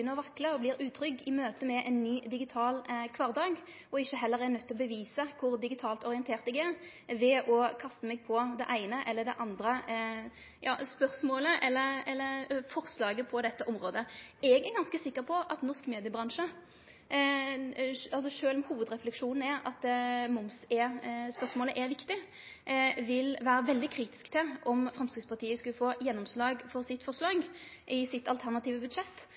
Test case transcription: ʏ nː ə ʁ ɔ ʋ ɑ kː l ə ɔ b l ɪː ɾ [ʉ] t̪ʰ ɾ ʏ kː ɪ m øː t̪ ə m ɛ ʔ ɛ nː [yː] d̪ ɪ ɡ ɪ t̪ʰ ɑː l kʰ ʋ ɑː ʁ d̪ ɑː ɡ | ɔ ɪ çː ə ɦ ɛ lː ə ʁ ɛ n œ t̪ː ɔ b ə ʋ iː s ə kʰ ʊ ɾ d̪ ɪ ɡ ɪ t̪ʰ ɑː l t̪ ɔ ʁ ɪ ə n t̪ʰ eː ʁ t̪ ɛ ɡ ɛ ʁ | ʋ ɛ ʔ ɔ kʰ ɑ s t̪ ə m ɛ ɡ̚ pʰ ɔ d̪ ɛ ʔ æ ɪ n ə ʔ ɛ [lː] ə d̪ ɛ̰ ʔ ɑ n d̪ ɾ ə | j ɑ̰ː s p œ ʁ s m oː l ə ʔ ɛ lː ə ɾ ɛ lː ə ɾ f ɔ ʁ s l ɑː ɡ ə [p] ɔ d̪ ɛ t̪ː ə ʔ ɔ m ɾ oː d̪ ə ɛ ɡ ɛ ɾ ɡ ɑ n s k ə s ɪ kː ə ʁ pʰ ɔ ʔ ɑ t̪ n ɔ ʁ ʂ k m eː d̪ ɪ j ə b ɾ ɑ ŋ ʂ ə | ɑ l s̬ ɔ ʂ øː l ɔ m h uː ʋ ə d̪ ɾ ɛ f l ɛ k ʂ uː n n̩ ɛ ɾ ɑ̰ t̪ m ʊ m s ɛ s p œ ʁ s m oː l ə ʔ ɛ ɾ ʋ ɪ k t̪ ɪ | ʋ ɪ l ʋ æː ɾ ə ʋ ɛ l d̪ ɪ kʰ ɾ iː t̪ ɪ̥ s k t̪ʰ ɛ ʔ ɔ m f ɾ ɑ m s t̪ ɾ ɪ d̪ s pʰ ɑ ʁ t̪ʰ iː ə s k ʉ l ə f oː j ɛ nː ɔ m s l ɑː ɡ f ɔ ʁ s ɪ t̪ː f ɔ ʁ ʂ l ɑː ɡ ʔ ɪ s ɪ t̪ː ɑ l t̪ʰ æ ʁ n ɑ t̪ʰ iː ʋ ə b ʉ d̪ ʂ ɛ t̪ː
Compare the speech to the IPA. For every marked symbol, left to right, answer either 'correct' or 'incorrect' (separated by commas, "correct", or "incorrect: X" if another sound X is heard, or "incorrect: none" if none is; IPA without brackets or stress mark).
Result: incorrect: ʉː, correct, correct, incorrect: pʰ